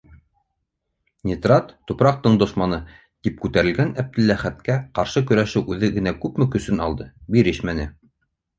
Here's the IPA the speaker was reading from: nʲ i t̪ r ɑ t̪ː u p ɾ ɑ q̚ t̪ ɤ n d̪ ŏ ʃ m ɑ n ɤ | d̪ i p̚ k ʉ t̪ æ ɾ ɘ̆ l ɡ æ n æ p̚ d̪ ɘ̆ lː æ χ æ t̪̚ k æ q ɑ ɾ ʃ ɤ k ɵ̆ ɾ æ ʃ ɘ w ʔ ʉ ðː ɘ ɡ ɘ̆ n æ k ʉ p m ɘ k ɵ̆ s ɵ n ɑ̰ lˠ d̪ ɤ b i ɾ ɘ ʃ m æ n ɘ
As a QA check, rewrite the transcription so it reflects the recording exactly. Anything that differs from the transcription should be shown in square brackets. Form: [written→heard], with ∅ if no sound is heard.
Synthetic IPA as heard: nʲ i t̪ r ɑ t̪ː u p ɾ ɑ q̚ t̪ ɤ [n→ɴ] d̪ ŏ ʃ m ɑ n ɤ | [d̪→t̪] i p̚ k ʉ t̪ æ ɾ ɘ̆ l ɡ æ n æ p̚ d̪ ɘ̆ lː æ χ æ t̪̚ k æ q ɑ ɾ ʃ ɤ k ɵ̆ ɾ æ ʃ ɘ w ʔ ʉ [ðː→ð] ɘ ɡ ɘ̆ n æ k ʉ p m ɘ k ɵ̆ s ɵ n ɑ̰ lˠ d̪ ɤ b i ɾ ɘ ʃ m æ n ɘ

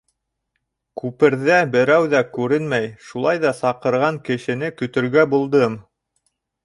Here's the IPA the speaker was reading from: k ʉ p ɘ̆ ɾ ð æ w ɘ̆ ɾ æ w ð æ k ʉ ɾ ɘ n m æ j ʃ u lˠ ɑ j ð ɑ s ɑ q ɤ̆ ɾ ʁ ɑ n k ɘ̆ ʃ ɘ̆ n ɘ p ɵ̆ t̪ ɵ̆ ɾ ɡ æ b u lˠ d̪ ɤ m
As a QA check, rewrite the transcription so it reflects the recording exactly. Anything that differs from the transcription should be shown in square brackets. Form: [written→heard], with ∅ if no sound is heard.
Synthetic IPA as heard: k ʉ p ɘ̆ ɾ ð æ [w→b] ɘ̆ ɾ æ w ð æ k ʉ ɾ ɘ n m æ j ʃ u lˠ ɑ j ð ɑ s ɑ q ɤ̆ ɾ ʁ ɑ [n→ŋ] k ɘ̆ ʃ ɘ̆ n ɘ [p→k] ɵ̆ t̪ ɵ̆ ɾ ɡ æ b u lˠ d̪ ɤ m

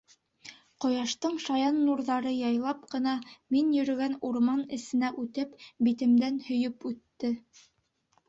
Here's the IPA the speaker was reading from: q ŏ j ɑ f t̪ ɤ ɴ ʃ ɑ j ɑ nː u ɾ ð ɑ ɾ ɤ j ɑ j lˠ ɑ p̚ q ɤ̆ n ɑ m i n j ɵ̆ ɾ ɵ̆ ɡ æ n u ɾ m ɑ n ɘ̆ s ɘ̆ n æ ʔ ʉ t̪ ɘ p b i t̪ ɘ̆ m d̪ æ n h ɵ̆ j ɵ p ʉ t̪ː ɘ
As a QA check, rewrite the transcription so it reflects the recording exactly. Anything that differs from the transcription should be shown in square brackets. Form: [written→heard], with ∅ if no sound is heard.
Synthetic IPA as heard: q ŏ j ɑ [f→ʃ] t̪ ɤ ɴ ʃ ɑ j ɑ nː u ɾ ð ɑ ɾ ɤ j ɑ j lˠ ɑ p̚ q ɤ̆ n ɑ m i n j ɵ̆ ɾ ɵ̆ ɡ æ n u ɾ m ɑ n ɘ̆ s ɘ̆ n æ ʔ ʉ t̪ ɘ p b i t̪ ɘ̆ m d̪ æ n h ɵ̆ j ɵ p ʉ t̪ː ɘ

